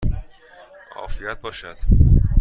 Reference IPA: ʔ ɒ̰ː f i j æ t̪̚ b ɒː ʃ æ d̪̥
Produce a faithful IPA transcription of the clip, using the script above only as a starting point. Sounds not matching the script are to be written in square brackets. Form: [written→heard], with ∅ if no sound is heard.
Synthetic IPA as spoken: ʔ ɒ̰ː f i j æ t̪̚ b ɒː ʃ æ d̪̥